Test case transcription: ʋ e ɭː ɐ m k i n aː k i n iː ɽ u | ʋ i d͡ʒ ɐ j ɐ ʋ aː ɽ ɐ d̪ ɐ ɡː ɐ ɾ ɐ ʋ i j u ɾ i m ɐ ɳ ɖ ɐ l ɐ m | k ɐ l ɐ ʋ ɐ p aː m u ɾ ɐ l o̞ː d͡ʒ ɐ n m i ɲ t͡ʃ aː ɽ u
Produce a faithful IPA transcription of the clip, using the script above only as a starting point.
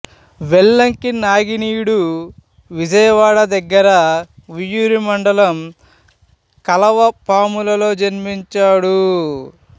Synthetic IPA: ʋ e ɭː ɐ ŋ k i n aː ɡ i n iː ɽ u | ʋ i d͡ʒ ɐ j ɐ ʋ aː ɽ ɐ d̪ ɐ ɡː ɐ ɾ ɐ ʋ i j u ɾ i m ɐ ɳ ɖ ɐ l ɐ m | k ɐ l ɐ ʋ ɐ p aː m u l ɐ l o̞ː d͡ʒ ɐ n m i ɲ t͡ʃ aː ɽ u